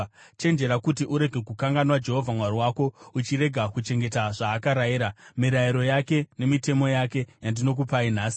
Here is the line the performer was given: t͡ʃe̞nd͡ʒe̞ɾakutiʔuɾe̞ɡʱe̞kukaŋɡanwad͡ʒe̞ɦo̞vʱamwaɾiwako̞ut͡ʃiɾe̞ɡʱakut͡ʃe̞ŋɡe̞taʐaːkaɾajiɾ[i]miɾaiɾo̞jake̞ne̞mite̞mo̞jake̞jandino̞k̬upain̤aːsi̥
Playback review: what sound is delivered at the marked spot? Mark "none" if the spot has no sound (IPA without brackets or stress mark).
a